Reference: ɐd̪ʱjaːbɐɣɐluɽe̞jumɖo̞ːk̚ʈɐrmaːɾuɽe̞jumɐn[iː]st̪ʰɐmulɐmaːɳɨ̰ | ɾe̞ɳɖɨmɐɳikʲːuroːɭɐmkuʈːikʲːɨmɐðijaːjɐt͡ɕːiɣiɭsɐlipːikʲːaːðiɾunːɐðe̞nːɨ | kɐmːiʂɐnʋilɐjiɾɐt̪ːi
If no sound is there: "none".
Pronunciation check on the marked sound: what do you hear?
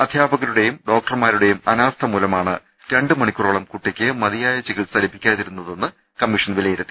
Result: aː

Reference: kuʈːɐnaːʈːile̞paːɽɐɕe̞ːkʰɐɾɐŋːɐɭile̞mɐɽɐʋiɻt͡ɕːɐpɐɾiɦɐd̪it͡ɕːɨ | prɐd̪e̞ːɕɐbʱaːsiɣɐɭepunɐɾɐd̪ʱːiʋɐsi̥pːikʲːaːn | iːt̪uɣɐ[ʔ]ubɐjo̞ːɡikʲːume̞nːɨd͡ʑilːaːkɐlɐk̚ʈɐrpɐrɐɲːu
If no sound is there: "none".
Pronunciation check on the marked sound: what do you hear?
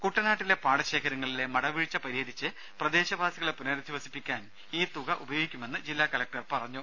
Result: ʔ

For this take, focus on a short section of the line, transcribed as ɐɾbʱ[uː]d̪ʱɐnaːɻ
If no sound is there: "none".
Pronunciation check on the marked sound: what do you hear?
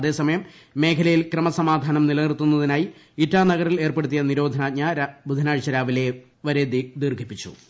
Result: u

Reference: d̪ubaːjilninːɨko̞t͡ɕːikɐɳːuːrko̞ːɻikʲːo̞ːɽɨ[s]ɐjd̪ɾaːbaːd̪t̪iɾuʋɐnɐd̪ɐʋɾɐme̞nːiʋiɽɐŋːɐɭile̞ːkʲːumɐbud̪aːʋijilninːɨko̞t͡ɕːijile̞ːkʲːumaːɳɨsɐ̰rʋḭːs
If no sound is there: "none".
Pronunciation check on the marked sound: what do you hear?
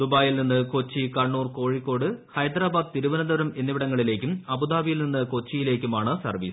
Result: h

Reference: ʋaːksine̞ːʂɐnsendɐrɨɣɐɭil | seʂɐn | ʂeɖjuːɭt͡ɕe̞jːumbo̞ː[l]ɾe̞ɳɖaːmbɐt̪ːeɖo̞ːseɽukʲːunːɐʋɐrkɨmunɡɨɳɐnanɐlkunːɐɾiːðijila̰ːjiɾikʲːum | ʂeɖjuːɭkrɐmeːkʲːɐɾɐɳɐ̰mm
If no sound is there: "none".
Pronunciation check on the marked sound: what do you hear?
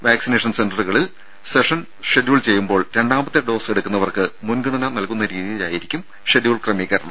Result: ɭ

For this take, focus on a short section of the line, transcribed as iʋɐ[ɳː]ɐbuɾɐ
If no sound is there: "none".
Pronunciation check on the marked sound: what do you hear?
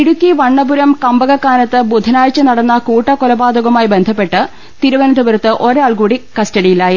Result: ɳː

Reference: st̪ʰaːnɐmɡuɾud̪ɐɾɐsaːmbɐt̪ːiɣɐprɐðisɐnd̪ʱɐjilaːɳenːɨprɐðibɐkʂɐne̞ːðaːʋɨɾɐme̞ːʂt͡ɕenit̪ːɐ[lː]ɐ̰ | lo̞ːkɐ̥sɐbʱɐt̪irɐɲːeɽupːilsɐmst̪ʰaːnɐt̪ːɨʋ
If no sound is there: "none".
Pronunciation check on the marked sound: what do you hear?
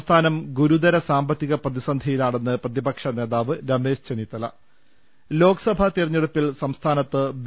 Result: l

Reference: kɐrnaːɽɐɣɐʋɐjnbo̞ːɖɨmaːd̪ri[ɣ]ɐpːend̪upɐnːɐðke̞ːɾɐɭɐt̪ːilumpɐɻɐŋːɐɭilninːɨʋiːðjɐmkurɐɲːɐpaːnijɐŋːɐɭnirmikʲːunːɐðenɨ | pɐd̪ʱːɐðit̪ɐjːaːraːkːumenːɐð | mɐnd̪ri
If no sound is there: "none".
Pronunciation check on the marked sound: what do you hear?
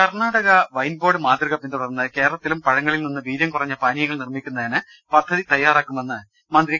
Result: ɣ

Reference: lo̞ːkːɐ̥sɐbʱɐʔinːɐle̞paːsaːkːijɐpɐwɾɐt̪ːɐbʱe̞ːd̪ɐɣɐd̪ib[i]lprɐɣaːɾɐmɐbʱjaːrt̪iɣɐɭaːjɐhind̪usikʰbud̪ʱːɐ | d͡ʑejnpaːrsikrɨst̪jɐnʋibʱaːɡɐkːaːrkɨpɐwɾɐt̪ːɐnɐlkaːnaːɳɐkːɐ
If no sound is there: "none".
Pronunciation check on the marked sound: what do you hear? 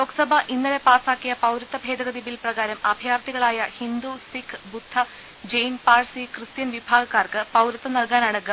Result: i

